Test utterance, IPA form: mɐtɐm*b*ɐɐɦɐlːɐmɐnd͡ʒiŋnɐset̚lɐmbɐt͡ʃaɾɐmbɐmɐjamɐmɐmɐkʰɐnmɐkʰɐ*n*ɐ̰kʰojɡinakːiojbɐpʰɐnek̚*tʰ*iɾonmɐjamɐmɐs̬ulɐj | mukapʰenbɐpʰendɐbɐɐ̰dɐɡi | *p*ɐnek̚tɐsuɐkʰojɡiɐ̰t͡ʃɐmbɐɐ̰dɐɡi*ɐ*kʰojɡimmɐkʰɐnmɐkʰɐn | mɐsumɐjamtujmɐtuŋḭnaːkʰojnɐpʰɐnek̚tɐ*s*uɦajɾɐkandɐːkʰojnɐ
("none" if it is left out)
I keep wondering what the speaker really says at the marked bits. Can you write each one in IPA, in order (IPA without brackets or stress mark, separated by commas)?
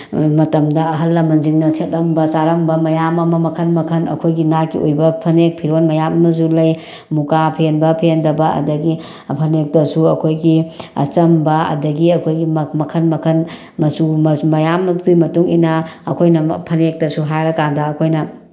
d, n, pʰ, pʰ, ɐ, s